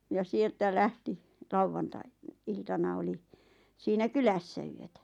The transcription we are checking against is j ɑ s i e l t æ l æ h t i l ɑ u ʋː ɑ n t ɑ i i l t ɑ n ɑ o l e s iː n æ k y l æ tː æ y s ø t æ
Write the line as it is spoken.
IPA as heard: j ɑ s i e l t æ l æ h t i l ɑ u ʋː ɑ n t ɑ i i l t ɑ n ɑ o l i s iː n æ k y l æ sː æ y ø t æ